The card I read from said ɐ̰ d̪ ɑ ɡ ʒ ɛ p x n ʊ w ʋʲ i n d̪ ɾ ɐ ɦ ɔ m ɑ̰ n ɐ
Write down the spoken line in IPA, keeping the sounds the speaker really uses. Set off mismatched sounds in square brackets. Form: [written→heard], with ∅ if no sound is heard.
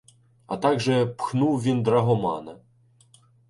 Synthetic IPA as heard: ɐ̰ [d̪→t̪] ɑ ɡ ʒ ɛ p x n [ʊ→u] w ʋʲ i n d̪ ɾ ɐ ɦ ɔ m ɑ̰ n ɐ